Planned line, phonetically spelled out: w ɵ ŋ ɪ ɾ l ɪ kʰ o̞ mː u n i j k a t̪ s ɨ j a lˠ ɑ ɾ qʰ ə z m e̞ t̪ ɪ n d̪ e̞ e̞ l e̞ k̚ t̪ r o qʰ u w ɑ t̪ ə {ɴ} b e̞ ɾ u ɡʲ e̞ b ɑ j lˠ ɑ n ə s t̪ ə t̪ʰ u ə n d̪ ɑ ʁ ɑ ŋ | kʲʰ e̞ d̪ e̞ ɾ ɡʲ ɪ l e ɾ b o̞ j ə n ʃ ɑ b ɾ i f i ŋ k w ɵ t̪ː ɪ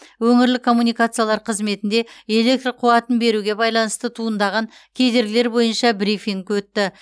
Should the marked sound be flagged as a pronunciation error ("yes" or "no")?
yes